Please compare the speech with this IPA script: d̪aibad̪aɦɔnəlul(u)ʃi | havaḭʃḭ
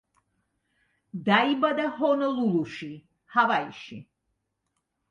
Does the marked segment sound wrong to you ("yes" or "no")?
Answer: no